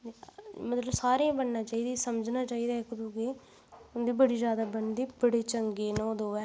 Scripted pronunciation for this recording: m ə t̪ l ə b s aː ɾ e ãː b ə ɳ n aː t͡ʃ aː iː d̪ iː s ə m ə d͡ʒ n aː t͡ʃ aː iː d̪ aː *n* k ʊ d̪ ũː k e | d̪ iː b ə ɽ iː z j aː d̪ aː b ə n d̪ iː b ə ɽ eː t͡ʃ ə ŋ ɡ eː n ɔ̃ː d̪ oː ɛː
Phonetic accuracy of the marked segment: incorrect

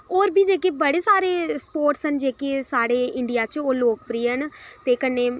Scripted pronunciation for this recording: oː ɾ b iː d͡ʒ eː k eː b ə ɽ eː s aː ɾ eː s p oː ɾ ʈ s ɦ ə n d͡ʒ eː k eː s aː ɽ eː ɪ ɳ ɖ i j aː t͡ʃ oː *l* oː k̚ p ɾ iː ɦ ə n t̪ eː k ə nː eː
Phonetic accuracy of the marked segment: correct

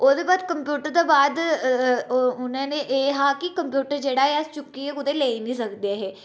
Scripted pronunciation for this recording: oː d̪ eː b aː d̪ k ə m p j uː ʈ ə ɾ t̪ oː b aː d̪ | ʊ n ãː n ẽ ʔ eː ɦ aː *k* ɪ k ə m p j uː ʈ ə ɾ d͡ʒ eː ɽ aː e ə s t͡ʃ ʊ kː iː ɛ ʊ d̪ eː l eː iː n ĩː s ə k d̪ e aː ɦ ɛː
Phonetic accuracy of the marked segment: correct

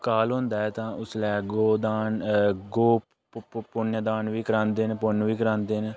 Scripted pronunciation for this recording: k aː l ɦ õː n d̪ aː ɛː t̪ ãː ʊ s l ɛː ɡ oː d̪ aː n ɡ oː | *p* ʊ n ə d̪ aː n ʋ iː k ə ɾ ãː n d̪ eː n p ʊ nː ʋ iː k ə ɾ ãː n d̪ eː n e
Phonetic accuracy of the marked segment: correct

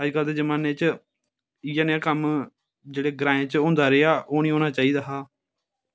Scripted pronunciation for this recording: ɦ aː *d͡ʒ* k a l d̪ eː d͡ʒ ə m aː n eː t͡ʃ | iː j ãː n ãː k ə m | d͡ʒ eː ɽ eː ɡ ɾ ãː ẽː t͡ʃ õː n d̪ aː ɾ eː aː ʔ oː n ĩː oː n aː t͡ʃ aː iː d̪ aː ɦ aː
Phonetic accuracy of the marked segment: correct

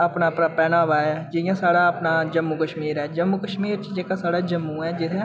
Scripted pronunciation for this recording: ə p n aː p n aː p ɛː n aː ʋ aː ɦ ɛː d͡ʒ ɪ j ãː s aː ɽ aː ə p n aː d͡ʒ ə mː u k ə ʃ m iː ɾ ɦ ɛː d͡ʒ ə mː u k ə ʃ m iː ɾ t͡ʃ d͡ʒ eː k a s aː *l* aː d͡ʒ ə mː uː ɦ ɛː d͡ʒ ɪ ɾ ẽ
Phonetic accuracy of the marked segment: incorrect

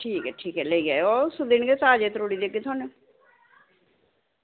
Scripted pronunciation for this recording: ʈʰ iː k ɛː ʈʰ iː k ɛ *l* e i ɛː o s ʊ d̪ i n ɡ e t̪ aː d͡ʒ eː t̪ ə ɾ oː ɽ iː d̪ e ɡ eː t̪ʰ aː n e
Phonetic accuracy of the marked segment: correct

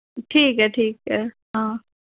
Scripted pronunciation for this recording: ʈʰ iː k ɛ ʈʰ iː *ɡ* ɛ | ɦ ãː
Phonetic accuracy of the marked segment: incorrect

